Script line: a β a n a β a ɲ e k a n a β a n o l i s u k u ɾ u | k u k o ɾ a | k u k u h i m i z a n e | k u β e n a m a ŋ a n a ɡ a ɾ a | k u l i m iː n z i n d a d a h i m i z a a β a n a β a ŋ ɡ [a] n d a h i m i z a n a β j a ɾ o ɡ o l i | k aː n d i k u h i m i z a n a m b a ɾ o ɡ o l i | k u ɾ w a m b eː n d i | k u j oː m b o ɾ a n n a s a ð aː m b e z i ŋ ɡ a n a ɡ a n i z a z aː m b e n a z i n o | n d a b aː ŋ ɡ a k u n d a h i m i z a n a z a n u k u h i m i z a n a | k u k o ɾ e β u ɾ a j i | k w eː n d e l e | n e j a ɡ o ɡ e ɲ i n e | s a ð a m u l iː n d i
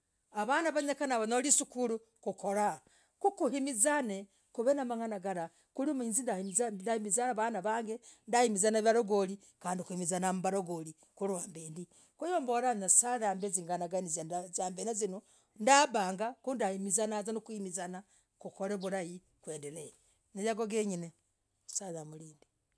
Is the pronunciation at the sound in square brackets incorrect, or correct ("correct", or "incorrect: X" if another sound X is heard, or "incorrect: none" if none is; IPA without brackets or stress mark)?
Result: incorrect: e